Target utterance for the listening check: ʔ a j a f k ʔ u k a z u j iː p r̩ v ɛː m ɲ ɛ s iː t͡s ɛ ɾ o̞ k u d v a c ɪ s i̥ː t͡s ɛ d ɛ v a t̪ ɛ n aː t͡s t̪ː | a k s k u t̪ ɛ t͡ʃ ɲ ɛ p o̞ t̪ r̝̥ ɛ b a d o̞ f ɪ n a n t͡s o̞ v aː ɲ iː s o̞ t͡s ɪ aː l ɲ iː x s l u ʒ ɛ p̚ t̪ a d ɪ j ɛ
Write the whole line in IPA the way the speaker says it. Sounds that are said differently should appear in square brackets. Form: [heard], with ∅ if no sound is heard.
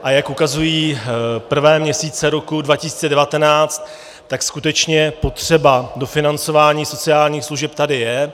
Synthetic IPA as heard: ʔ a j a [∅] k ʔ u k a z u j iː p r̩ v ɛː m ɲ ɛ s iː t͡s ɛ ɾ o̞ k u d v a c ɪ s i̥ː t͡s ɛ d ɛ v a t̪ ɛ n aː t͡s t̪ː | a k s k u t̪ ɛ t͡ʃ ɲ ɛ p o̞ t̪ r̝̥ ɛ b a d o̞ f ɪ n a n t͡s o̞ v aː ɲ iː s o̞ t͡s ɪ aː l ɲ iː x s l u ʒ ɛ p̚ t̪ a d ɪ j ɛ